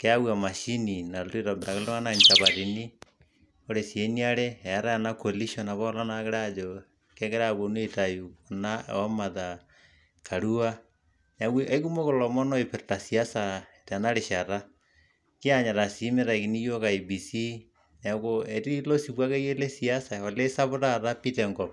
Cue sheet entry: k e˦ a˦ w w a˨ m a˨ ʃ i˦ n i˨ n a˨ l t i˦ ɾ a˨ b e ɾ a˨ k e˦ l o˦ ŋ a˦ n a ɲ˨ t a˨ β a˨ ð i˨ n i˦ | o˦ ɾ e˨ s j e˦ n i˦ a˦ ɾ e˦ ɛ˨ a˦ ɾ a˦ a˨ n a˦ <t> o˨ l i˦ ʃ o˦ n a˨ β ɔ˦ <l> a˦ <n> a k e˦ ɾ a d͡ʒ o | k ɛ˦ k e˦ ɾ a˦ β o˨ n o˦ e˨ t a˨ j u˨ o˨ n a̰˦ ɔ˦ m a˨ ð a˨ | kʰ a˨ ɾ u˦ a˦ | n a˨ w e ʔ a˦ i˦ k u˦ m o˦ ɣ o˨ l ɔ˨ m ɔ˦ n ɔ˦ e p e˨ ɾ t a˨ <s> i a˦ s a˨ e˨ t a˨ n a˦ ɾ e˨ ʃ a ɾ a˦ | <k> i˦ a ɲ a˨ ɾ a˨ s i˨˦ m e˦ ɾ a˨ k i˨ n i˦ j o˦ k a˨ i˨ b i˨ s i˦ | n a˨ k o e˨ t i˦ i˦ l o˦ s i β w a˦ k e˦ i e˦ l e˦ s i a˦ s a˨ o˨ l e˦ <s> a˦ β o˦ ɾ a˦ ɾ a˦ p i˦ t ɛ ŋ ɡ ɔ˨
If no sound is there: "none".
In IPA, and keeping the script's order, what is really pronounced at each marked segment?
k, l, n, s, k, s

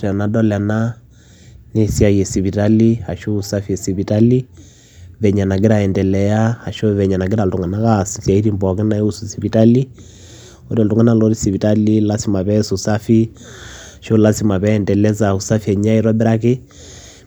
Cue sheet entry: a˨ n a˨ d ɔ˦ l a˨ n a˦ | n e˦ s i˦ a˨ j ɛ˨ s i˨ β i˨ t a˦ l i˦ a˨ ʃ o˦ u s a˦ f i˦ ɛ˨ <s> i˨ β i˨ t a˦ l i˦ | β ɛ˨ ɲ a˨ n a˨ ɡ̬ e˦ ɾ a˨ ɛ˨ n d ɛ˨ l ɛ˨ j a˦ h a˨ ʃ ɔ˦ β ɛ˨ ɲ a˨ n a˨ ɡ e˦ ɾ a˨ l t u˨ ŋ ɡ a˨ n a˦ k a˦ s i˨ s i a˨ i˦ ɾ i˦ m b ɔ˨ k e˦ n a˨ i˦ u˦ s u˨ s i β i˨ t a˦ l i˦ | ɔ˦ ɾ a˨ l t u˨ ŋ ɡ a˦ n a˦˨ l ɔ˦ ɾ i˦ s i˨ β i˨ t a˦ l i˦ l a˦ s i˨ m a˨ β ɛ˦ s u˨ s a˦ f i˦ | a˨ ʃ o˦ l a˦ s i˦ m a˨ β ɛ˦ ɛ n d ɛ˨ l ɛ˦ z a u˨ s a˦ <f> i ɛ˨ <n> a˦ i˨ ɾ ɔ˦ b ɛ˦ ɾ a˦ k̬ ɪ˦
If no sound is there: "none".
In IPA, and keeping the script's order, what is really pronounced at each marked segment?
s, f, ɲ

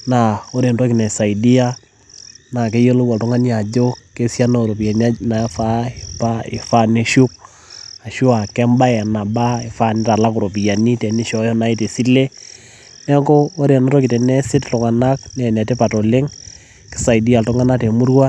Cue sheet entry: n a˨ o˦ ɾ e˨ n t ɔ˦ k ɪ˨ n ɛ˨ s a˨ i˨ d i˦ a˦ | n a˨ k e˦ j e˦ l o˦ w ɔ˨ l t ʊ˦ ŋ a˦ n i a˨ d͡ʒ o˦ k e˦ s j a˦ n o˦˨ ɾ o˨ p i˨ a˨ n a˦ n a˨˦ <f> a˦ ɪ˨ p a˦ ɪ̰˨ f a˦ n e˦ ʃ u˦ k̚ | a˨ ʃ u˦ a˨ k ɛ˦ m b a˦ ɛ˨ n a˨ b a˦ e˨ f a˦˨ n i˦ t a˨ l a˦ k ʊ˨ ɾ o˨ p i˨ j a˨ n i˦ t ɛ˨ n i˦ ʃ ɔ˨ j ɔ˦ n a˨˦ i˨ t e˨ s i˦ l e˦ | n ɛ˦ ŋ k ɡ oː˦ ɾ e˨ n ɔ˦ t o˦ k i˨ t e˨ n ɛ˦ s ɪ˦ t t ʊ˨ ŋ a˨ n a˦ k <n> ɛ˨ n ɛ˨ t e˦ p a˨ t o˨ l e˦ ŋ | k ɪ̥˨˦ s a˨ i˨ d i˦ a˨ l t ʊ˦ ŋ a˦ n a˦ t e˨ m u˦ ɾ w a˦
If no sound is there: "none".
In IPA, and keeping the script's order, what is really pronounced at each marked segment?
f, n

